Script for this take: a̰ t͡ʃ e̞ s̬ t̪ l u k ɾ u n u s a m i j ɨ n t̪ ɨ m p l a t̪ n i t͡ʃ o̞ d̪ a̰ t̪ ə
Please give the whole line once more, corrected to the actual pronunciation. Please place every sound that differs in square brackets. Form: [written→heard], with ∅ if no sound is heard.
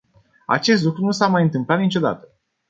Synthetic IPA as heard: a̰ t͡ʃ e̞ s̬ t̪ l u k ɾ u n u s a m [i→a] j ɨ n t̪ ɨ m p l a t̪ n i t͡ʃ o̞ d̪ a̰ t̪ ə